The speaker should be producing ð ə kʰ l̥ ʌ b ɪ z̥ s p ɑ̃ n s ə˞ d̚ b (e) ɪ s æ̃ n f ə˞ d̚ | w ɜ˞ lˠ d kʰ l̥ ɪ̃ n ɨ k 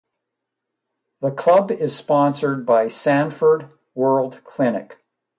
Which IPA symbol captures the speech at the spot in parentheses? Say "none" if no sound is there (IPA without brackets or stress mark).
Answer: a